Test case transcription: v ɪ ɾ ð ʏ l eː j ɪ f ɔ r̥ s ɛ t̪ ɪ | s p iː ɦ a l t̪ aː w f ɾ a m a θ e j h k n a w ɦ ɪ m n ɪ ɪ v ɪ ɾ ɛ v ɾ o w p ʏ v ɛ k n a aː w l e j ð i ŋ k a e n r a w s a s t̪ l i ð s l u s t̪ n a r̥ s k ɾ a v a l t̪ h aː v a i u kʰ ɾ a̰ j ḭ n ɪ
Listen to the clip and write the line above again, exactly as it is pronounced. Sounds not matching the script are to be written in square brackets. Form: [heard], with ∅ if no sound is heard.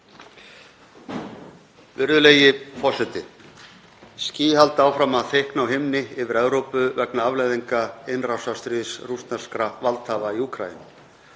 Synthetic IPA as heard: v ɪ ɾ ð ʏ l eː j ɪ f ɔ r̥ s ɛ t̪ ɪ | s [c] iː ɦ a l t̪ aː w f ɾ a m a θ e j h k n a w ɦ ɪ m n ɪ ɪ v ɪ ɾ ɛ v ɾ o w p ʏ v ɛ k n a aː [v] l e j ð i ŋ k a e n r a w s a s t̪ [ɾ] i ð s [r] u s t̪ n a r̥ s k ɾ a v a l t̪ h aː v a i u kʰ ɾ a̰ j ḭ n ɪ